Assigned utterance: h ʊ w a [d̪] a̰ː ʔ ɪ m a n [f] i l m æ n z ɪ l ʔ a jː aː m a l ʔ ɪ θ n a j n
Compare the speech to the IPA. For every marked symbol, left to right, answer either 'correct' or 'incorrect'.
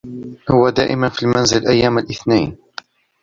correct, correct

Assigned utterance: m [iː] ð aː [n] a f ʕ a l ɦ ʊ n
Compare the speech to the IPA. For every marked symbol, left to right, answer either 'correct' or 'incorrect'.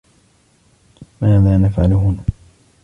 incorrect, correct

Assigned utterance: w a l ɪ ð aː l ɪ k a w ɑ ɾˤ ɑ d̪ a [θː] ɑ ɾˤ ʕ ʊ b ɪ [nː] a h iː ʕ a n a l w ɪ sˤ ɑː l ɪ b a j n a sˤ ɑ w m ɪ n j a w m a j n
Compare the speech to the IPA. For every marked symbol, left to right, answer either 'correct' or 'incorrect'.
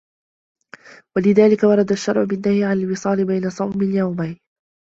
incorrect, correct

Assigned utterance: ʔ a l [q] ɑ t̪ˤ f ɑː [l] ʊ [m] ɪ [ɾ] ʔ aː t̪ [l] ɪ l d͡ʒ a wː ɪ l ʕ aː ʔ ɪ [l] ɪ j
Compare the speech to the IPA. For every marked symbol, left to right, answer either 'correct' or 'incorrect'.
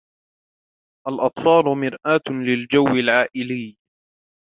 incorrect, correct, correct, correct, correct, correct

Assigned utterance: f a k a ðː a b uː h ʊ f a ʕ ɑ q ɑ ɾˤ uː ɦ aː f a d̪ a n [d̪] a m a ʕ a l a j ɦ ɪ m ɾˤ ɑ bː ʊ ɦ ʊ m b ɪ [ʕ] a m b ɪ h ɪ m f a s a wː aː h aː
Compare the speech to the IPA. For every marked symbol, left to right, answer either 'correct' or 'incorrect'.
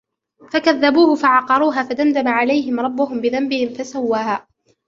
correct, incorrect

